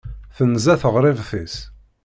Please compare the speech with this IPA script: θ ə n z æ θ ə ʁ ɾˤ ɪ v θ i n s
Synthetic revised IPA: θ ə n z æ θ ə ʁ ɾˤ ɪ v θ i s